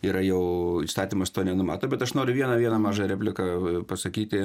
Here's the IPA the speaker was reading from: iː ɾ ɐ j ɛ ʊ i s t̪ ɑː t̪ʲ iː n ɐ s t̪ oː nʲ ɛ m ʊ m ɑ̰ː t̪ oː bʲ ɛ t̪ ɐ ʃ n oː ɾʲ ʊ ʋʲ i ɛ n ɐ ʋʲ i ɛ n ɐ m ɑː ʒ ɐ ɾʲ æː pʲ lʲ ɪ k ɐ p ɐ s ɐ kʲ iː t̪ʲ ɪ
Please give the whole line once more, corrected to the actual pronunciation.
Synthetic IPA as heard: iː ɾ ɐ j ɛ ʊ i s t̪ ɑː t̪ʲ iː m ɐ s t̪ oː nʲ ɛ n ʊ m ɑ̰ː t̪ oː bʲ ɛ t̪ ɐ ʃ n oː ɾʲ ʊ ʋʲ i ɛ n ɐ ʋʲ i ɛ n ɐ m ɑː ʒ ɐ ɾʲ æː pʲ lʲ ɪ k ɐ p ɐ s ɐ kʲ iː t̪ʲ ɪ